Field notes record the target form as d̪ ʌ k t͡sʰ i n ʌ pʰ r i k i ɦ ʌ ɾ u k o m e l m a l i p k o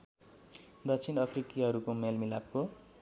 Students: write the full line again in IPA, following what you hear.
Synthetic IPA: d̪ ʌ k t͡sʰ i n ʌ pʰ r i k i ɦ ʌ ɾ u k o m e l m i l a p k o